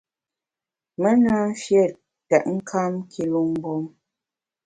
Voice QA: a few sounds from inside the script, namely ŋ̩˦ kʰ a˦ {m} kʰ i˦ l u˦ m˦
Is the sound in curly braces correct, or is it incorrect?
correct